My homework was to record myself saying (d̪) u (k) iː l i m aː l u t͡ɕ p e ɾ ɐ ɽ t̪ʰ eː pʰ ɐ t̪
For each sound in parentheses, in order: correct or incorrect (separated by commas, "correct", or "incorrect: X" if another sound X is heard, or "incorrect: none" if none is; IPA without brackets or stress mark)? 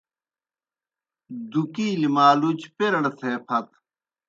correct, correct